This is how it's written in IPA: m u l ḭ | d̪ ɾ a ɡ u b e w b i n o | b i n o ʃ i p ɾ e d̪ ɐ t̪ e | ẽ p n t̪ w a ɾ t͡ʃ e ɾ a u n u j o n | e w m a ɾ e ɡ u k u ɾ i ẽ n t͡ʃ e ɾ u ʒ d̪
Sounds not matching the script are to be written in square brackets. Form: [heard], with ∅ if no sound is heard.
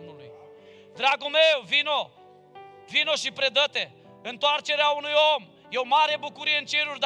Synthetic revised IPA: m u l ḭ | d̪ ɾ a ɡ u [m] e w [v] i n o | [v] i n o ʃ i p ɾ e d̪ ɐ t̪ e | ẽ [∅] n t̪ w a ɾ t͡ʃ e ɾ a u n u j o [m] | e w m a ɾ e [b] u k u ɾ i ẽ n t͡ʃ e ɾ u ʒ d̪